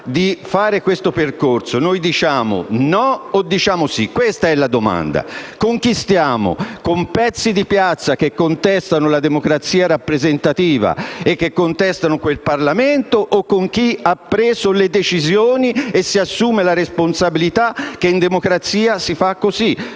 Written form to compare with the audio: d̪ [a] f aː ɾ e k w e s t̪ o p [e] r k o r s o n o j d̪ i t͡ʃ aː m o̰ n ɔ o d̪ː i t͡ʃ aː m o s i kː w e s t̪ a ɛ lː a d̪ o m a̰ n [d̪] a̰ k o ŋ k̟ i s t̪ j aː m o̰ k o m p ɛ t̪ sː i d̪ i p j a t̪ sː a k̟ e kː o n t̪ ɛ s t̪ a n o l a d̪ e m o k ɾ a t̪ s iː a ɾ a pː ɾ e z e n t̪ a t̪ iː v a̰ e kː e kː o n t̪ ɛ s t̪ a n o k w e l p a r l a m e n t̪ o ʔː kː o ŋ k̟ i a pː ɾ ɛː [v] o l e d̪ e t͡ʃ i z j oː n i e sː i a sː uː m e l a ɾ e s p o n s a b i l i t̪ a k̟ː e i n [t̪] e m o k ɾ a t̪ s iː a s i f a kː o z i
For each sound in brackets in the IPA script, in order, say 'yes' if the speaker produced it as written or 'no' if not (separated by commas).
no, yes, yes, no, no